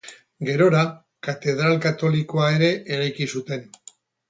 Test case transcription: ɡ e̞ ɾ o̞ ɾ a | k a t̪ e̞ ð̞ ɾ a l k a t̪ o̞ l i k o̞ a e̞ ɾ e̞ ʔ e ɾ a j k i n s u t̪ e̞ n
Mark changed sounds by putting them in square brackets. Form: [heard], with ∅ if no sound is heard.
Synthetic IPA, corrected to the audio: ɡ e̞ ɾ o̞ ɾ a | k a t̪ e̞ ð̞ ɾ a l k a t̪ o̞ l i k o̞ a e̞ ɾ e̞ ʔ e ɾ a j k i [∅] s u t̪ e̞ n